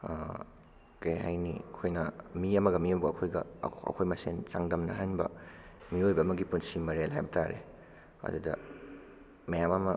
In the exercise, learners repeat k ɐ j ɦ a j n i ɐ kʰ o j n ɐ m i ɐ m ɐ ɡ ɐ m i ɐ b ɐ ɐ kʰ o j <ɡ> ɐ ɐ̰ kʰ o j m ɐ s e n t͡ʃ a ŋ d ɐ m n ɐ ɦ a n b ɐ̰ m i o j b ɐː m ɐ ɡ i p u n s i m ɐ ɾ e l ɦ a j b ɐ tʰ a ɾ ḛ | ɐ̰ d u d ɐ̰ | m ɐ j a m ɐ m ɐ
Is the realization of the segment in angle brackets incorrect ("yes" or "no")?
no